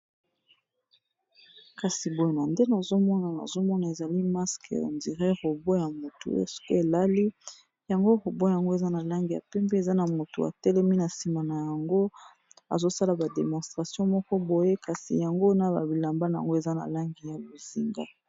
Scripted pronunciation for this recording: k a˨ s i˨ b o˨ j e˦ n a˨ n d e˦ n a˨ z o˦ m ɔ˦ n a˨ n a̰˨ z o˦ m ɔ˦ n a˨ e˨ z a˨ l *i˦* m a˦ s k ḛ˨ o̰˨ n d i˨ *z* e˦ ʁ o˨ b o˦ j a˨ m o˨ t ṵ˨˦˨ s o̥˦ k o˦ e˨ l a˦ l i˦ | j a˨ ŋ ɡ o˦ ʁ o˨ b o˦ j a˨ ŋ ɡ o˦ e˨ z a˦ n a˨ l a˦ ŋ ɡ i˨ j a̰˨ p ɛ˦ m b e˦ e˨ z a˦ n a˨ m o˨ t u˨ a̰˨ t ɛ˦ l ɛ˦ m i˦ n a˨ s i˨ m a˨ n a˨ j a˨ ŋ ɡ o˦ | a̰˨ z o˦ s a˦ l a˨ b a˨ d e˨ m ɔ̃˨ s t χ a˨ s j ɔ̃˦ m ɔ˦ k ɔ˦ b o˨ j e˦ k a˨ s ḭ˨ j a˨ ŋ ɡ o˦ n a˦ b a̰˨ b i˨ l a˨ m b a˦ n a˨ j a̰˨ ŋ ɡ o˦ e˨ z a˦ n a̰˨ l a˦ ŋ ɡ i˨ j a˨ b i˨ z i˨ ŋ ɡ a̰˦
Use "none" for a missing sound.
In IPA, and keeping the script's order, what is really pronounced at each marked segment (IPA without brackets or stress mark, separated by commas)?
i˦, ʁ